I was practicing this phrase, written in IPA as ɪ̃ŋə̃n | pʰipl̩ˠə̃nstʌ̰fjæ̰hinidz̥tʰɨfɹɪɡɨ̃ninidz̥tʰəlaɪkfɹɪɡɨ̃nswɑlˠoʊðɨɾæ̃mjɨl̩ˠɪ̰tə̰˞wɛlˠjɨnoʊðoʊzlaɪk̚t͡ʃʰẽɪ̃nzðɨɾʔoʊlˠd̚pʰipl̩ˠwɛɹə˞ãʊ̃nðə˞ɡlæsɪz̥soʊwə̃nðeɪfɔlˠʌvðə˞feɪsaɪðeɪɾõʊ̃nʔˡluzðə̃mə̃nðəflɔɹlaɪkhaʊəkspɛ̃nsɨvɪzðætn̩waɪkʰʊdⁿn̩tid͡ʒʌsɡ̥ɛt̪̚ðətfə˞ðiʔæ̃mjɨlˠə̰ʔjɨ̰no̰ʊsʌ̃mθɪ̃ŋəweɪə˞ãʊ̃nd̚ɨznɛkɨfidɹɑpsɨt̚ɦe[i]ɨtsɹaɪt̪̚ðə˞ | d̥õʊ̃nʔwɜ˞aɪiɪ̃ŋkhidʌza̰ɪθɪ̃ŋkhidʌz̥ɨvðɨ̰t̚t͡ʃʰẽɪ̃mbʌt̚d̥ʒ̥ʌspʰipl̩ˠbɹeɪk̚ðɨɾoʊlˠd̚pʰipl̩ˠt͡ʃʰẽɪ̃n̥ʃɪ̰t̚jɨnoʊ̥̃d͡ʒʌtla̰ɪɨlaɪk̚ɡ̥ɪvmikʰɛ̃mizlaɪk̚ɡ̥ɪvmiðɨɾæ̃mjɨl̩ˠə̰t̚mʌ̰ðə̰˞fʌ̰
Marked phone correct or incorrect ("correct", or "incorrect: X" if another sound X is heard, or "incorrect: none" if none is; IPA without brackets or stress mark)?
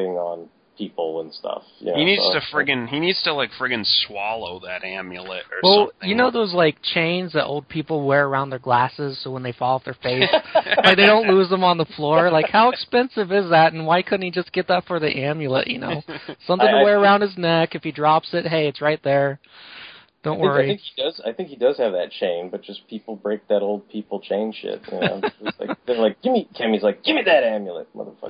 incorrect: ɪ